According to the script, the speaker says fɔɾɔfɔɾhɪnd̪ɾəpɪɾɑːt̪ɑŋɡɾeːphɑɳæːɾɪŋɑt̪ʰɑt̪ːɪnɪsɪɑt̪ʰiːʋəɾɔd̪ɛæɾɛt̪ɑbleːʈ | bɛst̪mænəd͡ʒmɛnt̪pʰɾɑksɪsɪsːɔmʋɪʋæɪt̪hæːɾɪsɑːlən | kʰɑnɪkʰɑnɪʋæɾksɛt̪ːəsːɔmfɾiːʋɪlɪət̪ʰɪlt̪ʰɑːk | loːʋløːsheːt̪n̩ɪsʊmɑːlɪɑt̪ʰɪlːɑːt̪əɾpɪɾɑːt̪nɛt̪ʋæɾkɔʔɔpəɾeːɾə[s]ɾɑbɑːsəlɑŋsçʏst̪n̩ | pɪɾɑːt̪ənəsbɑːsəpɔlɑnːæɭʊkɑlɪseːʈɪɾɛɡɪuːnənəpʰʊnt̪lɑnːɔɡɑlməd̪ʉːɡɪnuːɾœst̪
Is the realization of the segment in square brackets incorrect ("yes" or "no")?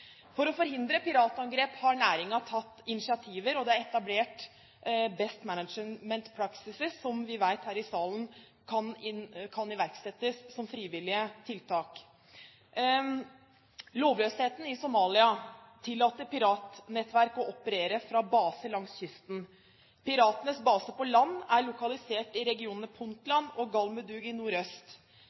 yes